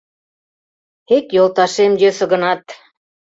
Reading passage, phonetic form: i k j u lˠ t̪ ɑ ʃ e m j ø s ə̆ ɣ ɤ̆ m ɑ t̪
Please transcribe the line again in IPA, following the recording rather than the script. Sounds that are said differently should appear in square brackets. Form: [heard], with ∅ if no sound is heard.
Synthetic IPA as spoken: [e] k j [o] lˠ t̪ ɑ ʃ e m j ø s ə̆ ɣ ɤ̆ [n] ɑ t̪